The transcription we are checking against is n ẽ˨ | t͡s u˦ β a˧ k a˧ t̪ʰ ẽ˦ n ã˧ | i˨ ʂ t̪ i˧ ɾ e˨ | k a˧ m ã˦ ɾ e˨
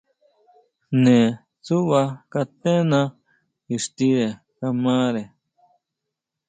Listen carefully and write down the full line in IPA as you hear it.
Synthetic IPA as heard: n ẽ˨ | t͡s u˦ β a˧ k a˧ t̪ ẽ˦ n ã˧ | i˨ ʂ t̪ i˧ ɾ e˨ | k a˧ m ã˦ ɾ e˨